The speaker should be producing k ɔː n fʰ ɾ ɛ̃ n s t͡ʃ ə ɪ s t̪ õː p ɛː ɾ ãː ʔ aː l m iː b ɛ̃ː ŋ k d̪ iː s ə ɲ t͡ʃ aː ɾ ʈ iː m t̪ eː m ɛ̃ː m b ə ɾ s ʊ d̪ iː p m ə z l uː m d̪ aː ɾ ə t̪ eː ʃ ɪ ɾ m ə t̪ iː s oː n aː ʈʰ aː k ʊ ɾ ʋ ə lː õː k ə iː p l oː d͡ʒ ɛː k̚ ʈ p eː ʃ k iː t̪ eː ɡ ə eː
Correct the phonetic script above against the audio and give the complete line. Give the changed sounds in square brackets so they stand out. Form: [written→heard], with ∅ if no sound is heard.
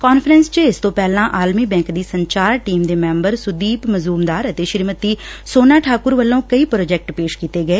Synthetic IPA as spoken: k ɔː n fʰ ɾ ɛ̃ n s t͡ʃ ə ɪ s t̪ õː p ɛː [ɾ→l] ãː ʔ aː l m iː b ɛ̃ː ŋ k d̪ iː s ə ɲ t͡ʃ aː ɾ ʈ iː m [t̪→d̪] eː m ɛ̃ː m b ə ɾ s ʊ d̪ iː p m ə z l uː m d̪ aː ɾ ə t̪ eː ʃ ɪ ɾ m ə t̪ iː s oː n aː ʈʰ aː k ʊ ɾ ʋ ə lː õː k ə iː p [l→ɾ] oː d͡ʒ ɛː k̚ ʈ p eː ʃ k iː t̪ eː ɡ ə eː